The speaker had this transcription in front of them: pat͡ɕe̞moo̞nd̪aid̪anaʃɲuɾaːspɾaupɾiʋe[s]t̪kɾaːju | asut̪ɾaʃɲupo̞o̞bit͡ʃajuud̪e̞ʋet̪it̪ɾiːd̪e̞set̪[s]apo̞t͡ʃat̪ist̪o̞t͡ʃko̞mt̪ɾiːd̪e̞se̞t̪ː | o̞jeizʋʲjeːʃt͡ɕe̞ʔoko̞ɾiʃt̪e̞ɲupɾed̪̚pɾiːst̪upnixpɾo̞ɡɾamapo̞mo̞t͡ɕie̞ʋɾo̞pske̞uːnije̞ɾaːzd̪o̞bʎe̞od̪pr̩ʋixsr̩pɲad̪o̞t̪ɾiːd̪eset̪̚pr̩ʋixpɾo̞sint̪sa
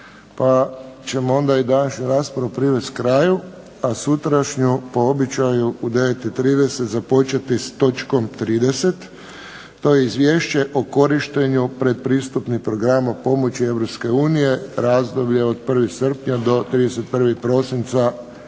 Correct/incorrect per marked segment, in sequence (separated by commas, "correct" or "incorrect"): correct, incorrect